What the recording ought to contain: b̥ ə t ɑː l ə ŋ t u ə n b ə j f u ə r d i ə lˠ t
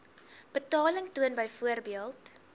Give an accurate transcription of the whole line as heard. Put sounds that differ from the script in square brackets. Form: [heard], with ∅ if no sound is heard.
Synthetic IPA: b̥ ə t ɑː l ə ŋ t u ə n b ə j f u ə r [b] i ə lˠ t